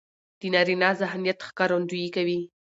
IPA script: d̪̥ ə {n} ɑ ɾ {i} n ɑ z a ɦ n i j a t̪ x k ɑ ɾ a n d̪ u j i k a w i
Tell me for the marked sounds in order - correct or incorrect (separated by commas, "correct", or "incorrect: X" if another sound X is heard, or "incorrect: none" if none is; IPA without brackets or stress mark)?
correct, correct